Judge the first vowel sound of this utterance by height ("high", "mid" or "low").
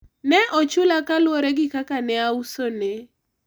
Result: mid